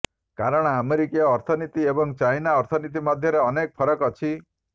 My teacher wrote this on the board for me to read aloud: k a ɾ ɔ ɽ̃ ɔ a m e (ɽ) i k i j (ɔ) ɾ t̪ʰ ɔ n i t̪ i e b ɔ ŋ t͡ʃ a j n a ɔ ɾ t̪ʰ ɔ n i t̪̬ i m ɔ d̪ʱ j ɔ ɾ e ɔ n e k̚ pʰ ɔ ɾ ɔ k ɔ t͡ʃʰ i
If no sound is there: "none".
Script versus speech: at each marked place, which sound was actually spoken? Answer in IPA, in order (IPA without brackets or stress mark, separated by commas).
ɾ, ɔː